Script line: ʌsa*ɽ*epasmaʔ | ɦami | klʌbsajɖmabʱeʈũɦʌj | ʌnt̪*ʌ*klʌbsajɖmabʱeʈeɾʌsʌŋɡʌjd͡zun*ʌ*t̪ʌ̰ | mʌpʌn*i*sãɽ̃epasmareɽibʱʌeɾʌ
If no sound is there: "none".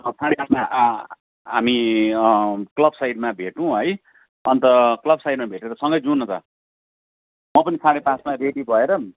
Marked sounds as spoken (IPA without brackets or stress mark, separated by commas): ɽ, ʌ, ʌ, i